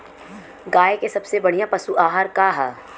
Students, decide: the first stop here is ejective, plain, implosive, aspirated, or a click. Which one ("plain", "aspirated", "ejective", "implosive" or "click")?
plain